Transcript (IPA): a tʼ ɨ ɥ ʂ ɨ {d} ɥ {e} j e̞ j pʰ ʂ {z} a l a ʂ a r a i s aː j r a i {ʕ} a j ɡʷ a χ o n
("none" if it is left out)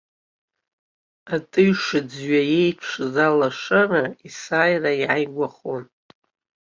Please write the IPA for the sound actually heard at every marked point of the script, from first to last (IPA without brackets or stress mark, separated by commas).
d͡z, a, z, ʕ